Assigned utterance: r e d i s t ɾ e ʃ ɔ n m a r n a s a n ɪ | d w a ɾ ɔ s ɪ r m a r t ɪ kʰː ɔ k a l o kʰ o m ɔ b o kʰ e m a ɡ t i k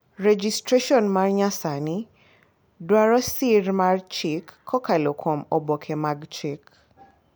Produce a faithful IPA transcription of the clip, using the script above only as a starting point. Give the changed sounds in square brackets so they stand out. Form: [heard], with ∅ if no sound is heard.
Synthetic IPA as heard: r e [d͡ʒ] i s t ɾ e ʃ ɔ n m a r [ɲ] a s a n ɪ | d w a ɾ ɔ s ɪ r m a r [t͡ʃ] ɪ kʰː ɔ k a l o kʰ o m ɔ b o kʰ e m a ɡ [t͡ʃ] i k

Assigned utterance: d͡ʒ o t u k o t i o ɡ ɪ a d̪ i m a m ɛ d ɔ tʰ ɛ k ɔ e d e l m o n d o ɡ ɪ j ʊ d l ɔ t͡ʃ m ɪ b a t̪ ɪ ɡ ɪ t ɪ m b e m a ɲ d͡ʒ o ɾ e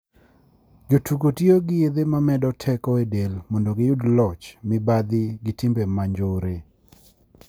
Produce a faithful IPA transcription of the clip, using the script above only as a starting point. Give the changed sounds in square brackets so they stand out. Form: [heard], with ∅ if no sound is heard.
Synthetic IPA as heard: d͡ʒ o t u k o t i o ɡ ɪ [e] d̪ [e] m a m ɛ d ɔ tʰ ɛ k ɔ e d e l m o n d o ɡ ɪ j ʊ d l ɔ t͡ʃ m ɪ b a [d̪] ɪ ɡ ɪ t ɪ m b e m a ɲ d͡ʒ o ɾ e

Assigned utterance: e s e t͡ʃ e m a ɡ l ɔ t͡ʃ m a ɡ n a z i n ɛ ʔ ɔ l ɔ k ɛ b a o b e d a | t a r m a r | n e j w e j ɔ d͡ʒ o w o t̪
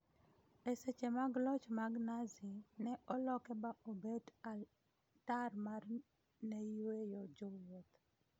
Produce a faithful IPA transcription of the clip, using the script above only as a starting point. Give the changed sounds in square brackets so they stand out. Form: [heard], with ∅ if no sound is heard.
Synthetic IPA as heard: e s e t͡ʃ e m a ɡ l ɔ t͡ʃ m a ɡ n a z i n ɛ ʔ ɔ l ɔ k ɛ b a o b e d a | t a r m a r | n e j w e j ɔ d͡ʒ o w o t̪

